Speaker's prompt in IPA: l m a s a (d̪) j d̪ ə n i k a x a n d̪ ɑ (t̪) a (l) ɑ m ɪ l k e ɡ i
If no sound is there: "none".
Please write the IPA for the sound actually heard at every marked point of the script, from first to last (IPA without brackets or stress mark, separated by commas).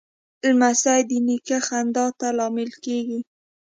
none, t̪, l